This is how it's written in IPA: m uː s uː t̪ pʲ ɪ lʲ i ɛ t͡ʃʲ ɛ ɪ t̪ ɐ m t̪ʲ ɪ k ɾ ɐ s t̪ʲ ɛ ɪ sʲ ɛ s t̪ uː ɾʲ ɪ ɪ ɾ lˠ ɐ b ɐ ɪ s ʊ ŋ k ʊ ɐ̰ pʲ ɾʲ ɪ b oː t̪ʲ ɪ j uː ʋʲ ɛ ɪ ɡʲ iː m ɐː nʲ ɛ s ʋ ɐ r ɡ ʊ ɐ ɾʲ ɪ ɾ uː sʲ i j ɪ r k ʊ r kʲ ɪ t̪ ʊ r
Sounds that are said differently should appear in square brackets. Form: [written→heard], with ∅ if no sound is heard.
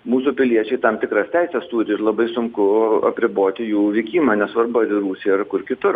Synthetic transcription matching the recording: m uː s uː [t̪→∅] pʲ ɪ lʲ i ɛ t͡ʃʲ ɛ ɪ t̪ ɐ m t̪ʲ ɪ k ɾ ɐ s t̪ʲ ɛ ɪ sʲ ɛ s t̪ uː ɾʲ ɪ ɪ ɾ lˠ ɐ b ɐ ɪ s ʊ ŋ k ʊ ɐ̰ pʲ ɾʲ ɪ b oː t̪ʲ ɪ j uː ʋʲ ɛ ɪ [ɡʲ→kʲ] iː m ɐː nʲ ɛ s ʋ ɐ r [ɡ→b] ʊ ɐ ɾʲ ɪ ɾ uː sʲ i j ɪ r k ʊ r kʲ ɪ t̪ ʊ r